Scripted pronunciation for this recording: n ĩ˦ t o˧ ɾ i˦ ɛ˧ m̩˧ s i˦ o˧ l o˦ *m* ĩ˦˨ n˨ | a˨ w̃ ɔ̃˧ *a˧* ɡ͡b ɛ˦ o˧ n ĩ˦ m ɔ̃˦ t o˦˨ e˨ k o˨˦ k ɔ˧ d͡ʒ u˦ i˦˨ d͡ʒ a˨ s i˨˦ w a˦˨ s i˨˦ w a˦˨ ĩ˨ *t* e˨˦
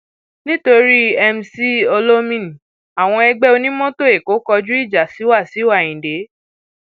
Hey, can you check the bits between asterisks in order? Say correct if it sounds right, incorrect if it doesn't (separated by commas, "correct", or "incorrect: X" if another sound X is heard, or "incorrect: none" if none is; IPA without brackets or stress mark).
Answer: correct, incorrect: ɛ˧, incorrect: d